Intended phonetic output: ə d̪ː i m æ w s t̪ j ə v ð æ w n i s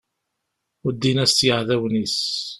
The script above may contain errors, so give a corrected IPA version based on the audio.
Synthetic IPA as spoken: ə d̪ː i n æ s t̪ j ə ʕ ð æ w n i s